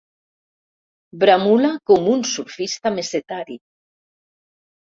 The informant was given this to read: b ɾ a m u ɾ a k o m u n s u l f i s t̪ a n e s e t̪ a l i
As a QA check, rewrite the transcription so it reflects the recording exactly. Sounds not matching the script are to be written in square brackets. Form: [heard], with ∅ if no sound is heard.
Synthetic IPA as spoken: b ɾ a m u [l] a k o m u n s u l f i s t̪ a [m] e s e t̪ a [ɾ] i